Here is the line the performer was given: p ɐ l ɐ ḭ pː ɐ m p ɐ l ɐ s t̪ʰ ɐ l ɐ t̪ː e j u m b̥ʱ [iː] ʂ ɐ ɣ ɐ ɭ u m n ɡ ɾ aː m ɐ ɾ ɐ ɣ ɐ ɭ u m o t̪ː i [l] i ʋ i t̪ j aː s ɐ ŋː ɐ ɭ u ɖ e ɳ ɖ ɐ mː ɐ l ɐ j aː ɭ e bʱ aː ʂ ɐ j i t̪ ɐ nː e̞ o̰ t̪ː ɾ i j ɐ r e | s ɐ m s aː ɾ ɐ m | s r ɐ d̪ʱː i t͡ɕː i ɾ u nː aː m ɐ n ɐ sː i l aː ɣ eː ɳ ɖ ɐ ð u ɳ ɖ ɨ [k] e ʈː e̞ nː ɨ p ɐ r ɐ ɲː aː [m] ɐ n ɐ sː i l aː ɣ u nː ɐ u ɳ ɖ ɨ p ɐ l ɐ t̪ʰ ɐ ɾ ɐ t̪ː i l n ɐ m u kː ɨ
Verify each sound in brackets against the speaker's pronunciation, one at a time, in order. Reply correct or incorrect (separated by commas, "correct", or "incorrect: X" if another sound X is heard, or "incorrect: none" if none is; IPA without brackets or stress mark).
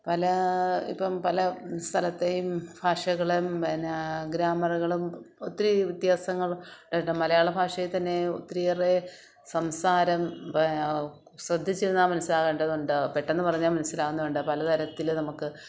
incorrect: aː, incorrect: ɾ, incorrect: p, correct